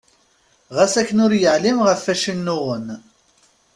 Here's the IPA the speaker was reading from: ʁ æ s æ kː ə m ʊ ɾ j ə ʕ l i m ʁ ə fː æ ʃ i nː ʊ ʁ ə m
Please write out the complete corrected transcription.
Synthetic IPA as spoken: ʁ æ s æ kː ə n ʊ ɾ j ə ʕ l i m ʁ ə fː æ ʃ i nː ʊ ʁ ə n